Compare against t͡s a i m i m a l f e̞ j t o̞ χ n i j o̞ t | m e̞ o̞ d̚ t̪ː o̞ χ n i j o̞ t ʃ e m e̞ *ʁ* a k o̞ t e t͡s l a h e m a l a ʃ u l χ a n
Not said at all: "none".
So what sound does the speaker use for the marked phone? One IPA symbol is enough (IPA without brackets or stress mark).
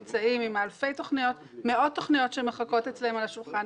χ